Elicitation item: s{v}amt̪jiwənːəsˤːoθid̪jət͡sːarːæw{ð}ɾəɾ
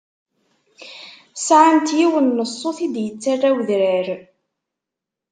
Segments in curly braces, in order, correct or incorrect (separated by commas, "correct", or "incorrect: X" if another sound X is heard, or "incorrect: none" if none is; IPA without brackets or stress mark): incorrect: ʕ, correct